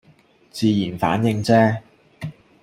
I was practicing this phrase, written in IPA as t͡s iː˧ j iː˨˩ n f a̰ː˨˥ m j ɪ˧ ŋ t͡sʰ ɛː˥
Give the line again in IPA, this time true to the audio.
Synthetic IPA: t͡s iː˧ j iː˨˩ n f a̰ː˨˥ n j ɪ˧ ŋ t͡s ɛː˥